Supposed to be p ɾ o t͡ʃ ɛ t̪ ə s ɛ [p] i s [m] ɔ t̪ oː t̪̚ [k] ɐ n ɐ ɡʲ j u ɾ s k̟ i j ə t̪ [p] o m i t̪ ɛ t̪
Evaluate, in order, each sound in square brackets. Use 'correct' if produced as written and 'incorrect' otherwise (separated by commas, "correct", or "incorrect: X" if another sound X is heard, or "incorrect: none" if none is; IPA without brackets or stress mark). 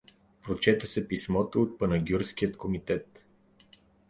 correct, correct, incorrect: p, incorrect: k